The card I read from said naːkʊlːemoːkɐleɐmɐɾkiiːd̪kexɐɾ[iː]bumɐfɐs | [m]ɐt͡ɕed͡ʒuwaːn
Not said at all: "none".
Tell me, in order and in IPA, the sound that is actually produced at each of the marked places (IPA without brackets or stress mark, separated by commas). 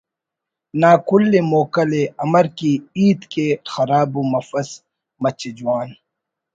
aː, m